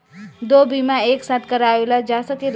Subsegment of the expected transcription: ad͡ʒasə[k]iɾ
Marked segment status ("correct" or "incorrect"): correct